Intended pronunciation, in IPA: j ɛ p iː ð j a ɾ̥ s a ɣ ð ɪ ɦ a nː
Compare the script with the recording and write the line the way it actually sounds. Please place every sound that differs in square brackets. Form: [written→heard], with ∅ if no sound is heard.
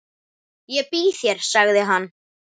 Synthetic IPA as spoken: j ɛ p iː [ð→θ] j [a→ɛ] ɾ̥ s a ɣ ð ɪ ɦ a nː